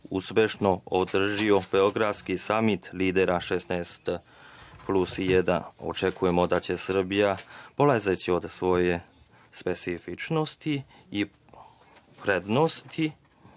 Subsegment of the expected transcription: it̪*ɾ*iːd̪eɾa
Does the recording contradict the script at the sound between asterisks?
yes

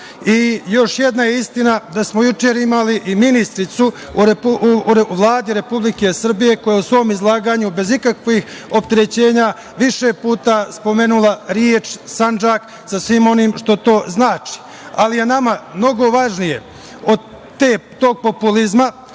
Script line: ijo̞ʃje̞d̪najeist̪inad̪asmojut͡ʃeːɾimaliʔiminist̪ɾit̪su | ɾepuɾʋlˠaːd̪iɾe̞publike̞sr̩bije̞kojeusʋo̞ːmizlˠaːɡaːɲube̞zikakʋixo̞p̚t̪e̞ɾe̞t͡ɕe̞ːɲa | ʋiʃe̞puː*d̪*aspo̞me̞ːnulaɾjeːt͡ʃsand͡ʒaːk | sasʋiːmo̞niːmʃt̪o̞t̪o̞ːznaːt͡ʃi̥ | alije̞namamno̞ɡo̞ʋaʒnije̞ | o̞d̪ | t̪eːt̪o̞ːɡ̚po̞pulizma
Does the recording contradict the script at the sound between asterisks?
yes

